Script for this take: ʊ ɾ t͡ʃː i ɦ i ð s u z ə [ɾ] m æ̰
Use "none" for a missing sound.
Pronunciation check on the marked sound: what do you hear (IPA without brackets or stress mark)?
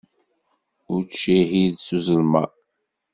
l